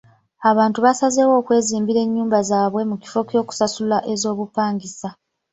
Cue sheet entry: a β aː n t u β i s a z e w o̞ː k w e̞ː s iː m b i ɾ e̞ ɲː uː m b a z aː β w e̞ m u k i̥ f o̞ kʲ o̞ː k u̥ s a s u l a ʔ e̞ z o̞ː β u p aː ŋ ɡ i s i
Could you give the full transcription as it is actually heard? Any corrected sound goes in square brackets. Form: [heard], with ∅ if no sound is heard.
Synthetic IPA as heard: a β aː n t u β [a] s a z e w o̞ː k w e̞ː [z] iː m b i ɾ e̞ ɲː uː m b a z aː β w e̞ m u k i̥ f o̞ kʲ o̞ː k u̥ s a s u l a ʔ e̞ z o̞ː β u p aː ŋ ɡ i s [a]